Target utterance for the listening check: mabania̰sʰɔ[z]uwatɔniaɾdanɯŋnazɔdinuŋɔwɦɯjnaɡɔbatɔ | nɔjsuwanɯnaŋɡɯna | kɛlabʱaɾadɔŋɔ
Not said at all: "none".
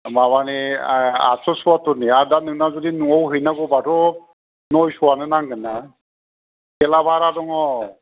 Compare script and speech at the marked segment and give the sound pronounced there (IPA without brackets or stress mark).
s